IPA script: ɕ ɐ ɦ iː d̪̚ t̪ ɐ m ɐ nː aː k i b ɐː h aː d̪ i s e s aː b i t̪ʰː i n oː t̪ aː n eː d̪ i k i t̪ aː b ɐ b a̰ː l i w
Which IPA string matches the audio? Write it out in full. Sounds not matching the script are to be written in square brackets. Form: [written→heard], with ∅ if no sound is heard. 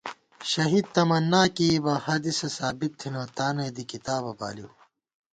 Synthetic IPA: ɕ ɐ ɦ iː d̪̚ t̪ ɐ m ɐ nː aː k i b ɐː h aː d̪ i s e s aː b i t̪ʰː i n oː t̪ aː n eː d̪ i k i t̪ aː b ɐ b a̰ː l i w